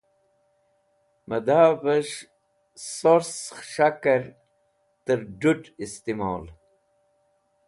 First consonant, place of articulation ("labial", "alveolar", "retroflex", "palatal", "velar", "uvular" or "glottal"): labial